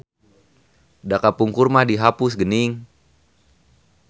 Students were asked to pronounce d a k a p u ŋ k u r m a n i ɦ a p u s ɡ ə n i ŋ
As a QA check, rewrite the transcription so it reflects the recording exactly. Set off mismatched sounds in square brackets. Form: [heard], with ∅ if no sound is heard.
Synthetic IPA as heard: d a k a p u ŋ k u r m a [d] i ɦ a p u s ɡ ə n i ŋ